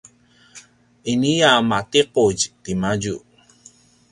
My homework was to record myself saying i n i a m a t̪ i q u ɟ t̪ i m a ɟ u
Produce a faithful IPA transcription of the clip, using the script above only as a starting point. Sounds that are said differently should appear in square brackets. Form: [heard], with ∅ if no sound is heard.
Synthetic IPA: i n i a m a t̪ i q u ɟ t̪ i m a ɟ u

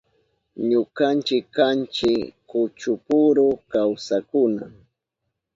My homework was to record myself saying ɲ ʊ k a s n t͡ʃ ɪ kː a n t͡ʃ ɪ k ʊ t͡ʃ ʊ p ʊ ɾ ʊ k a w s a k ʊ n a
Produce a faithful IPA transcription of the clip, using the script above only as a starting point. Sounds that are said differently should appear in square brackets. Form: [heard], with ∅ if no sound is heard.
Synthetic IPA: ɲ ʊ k a [∅] n t͡ʃ ɪ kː a n t͡ʃ ɪ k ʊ t͡ʃ ʊ p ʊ ɾ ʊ k a w s a k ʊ n a

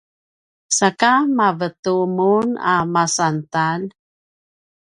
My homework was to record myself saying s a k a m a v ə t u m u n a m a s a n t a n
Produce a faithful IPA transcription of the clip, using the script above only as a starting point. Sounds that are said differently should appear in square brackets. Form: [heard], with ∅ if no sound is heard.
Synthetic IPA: s a k a m a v ə t u m u n a m a s a n t a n

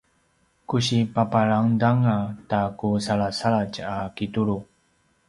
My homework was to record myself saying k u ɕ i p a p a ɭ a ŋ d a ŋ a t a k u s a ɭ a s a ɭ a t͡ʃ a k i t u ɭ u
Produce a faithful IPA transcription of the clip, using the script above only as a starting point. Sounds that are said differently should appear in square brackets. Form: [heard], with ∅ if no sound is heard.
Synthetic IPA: k u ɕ i p a p a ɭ a ŋ d a ŋ a t a k u s a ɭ a s a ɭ a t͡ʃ a k i t u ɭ u

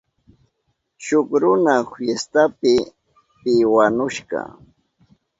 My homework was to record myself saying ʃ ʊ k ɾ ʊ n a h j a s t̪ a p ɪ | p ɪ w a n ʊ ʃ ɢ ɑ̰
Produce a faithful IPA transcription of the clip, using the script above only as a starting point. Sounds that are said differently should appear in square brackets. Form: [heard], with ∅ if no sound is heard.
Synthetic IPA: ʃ ʊ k ɾ ʊ n a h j [e] s t̪ a p ɪ | p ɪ w a n ʊ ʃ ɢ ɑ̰

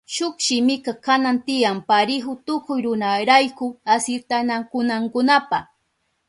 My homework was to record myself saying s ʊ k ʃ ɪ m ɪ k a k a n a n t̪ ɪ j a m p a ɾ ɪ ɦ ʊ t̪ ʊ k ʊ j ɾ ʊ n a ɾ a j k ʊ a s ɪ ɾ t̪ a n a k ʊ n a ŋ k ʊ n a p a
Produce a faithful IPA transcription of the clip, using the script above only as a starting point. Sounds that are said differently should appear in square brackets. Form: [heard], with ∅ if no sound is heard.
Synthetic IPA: [ʃ] ʊ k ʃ ɪ m ɪ k a k a n a n t̪ ɪ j a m p a ɾ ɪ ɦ ʊ t̪ ʊ k ʊ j ɾ ʊ n a ɾ a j k ʊ a s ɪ ɾ t̪ a n a k ʊ n a ŋ k ʊ n a p a

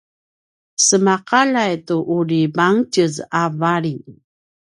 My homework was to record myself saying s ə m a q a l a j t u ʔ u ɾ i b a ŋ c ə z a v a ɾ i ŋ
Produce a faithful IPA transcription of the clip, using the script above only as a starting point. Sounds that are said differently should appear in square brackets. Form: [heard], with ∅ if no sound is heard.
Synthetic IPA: s ə m a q a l a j t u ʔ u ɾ i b a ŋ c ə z a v a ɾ i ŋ

